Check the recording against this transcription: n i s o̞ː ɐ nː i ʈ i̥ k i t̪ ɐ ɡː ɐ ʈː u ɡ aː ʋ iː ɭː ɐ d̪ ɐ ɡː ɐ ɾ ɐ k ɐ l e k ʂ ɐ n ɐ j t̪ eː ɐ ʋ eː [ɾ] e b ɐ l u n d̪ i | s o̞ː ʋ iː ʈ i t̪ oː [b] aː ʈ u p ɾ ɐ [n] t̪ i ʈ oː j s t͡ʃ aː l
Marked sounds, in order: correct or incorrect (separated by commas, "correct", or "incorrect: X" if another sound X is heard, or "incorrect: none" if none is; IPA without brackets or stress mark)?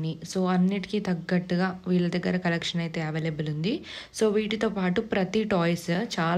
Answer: incorrect: l, incorrect: p, incorrect: none